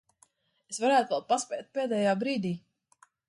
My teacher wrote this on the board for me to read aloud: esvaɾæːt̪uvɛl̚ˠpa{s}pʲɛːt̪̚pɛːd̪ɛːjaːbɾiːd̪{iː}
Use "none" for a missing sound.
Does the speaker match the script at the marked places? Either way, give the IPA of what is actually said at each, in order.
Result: s, iː

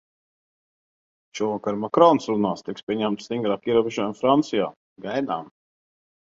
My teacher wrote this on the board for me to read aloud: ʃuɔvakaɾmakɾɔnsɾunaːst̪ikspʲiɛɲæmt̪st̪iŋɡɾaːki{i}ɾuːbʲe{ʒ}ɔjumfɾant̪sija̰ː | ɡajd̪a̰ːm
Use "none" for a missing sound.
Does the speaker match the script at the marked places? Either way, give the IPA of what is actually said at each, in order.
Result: ɛ, ʒ

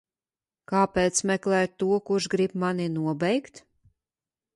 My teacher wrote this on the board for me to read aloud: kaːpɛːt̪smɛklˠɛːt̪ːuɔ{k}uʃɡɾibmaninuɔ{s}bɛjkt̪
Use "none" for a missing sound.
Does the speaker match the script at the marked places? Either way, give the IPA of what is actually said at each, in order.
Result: k, none

